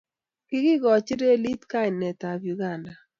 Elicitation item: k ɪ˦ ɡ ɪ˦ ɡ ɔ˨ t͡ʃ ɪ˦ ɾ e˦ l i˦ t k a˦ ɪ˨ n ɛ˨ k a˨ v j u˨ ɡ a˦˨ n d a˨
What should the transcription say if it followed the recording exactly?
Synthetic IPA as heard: k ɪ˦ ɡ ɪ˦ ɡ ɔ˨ t͡ʃ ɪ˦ ɾ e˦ l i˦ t k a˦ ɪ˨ n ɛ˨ t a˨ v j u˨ ɡ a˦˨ n d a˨